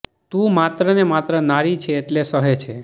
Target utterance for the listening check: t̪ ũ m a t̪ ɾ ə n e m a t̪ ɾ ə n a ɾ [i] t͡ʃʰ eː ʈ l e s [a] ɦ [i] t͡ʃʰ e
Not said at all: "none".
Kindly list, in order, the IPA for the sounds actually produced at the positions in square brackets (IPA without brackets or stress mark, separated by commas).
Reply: i, ə, e